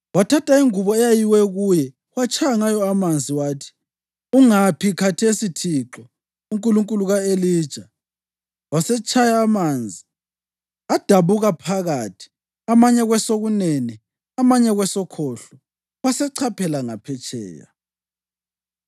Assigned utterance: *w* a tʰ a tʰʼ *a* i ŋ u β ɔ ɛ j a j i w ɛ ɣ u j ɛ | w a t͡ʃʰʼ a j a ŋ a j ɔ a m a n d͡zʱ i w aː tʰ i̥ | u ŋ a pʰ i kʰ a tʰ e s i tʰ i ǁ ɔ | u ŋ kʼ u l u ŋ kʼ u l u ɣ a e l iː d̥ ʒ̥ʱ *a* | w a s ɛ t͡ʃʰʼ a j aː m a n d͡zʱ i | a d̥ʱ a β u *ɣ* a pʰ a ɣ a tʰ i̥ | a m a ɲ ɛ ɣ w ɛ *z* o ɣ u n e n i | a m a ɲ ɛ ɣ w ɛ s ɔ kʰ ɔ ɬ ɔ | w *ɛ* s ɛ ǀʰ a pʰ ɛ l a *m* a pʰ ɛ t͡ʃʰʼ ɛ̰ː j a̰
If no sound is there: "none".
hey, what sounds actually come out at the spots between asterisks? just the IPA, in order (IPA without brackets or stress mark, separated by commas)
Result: w, a, a, ɣ, s, a, ŋ